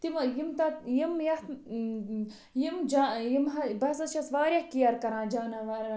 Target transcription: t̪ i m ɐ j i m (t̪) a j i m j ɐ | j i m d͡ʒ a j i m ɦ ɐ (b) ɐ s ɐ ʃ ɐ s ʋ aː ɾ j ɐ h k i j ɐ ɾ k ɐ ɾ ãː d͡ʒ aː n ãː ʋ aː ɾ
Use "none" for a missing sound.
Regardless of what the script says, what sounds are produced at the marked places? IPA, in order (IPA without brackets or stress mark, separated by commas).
t̪, b